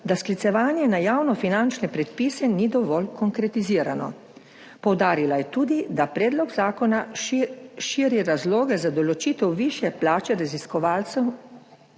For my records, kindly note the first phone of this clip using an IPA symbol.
d̪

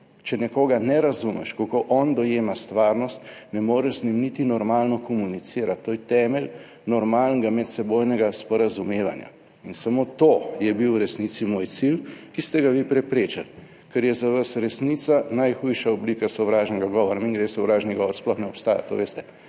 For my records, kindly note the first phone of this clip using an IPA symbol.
t͡ʃ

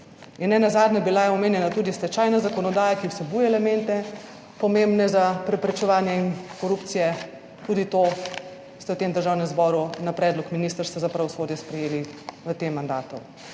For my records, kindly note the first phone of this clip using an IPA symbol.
i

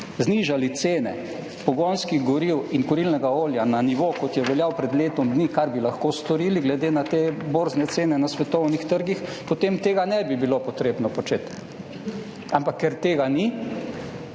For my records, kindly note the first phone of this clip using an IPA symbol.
z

